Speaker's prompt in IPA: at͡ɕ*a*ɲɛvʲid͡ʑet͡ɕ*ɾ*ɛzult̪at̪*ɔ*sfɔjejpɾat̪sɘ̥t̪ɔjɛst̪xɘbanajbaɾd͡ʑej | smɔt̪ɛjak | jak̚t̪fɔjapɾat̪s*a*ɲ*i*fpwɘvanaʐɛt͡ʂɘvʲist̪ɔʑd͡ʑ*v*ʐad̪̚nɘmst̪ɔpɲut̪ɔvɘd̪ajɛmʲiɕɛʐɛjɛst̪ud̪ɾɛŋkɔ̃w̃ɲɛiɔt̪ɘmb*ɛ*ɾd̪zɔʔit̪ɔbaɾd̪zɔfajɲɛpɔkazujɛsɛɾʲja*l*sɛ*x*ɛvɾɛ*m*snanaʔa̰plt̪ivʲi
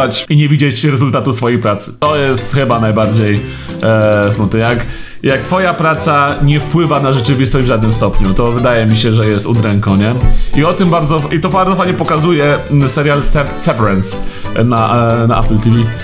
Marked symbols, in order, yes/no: no, yes, no, yes, no, yes, no, yes, no, no

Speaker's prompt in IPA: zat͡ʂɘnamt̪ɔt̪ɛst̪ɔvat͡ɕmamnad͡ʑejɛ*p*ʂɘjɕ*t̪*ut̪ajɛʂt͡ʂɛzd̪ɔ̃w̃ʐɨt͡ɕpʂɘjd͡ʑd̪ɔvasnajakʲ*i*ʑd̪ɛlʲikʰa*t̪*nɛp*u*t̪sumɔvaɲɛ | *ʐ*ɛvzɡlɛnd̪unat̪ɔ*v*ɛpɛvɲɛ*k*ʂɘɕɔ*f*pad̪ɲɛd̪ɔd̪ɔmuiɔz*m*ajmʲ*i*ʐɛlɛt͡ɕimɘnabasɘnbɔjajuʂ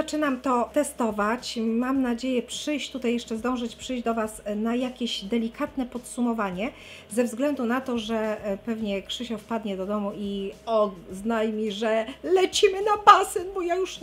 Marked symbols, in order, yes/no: yes, yes, no, yes, no, no, no, yes, yes, no, yes

